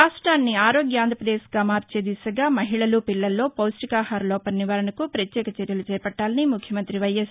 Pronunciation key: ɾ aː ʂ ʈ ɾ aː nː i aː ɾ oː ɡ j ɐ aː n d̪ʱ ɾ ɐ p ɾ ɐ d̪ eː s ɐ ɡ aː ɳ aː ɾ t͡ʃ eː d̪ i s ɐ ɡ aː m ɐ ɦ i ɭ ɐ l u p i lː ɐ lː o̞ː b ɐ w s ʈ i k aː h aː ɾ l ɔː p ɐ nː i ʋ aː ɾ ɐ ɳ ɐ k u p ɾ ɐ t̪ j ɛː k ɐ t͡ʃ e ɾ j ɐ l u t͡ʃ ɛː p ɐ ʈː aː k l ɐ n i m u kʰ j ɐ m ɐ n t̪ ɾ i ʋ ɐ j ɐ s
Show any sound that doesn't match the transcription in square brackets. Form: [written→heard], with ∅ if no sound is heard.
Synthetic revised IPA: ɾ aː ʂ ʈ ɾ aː nː i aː ɾ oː ɡ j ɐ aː n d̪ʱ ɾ ɐ p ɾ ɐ d̪ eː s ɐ ɡ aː [ɳ→m] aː ɾ t͡ʃ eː d̪ i s ɐ ɡ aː m ɐ ɦ i ɭ ɐ l u p i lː ɐ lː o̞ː [b→p] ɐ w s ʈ i k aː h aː ɾ l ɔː p ɐ nː i ʋ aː ɾ ɐ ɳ ɐ k u p ɾ ɐ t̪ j ɛː k ɐ t͡ʃ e ɾ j ɐ l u t͡ʃ ɛː p ɐ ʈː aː [k→∅] l ɐ n i m u kʰ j ɐ m ɐ n t̪ ɾ i ʋ ɐ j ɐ s